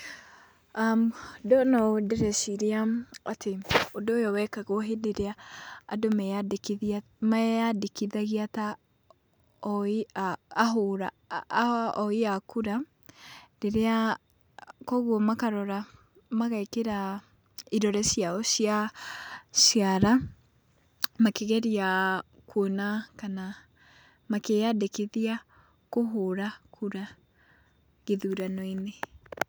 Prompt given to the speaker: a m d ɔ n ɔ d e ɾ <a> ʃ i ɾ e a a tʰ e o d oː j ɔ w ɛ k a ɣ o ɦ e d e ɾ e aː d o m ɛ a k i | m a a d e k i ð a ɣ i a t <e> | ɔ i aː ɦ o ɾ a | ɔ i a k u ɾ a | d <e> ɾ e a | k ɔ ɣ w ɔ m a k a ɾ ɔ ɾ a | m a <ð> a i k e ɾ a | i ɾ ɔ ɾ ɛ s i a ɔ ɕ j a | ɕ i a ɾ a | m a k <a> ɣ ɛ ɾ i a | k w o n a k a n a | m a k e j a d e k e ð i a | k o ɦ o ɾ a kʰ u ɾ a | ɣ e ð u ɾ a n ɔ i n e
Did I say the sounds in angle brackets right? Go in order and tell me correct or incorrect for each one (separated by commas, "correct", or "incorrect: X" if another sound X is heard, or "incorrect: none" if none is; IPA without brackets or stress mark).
incorrect: ɛ, incorrect: a, correct, incorrect: ɣ, incorrect: e